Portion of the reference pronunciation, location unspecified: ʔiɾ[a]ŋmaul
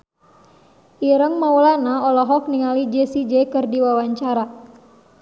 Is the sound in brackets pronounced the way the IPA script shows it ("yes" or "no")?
no